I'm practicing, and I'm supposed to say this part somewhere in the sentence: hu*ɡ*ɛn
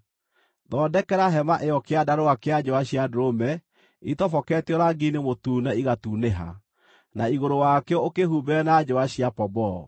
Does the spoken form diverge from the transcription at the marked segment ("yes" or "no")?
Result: yes